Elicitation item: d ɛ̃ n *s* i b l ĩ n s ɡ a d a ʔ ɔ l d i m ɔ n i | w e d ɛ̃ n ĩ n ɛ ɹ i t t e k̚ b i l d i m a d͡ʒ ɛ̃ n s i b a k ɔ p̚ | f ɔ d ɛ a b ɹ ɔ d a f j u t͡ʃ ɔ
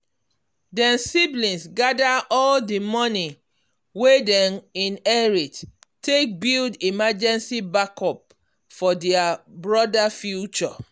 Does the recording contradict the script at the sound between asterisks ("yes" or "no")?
no